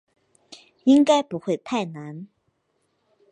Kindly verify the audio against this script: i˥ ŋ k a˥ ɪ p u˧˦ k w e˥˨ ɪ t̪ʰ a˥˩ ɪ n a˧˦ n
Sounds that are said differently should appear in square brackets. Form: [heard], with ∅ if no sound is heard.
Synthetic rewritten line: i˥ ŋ k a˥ ɪ p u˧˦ [x] w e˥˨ ɪ t̪ʰ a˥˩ ɪ n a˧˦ n